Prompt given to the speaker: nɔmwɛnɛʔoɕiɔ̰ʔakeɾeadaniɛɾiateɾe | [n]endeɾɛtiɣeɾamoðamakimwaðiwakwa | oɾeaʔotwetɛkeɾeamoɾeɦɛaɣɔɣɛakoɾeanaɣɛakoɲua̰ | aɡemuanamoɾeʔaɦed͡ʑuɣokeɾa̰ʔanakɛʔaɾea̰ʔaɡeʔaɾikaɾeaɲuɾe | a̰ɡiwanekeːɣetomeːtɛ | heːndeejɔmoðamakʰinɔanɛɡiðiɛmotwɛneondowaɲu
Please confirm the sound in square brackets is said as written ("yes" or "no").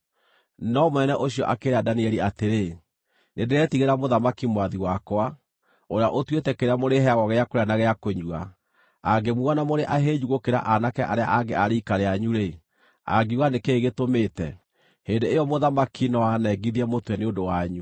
yes